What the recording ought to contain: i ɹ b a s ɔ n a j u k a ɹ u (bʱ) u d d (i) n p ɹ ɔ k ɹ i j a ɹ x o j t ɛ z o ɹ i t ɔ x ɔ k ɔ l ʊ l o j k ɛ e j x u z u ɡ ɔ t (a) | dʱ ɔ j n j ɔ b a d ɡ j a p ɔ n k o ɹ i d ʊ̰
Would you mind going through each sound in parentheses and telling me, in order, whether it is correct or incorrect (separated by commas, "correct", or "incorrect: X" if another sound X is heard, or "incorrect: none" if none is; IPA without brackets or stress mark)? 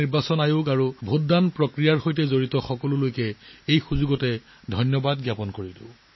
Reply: correct, incorrect: a, incorrect: ɛ